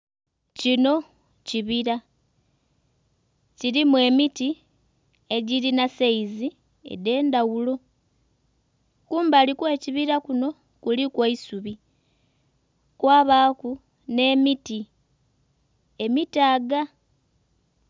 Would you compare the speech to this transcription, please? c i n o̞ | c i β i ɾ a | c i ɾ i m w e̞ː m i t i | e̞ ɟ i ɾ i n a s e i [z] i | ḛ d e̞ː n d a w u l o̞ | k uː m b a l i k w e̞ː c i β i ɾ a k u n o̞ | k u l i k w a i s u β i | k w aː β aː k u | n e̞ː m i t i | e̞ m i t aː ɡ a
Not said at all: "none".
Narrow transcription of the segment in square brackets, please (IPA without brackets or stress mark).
z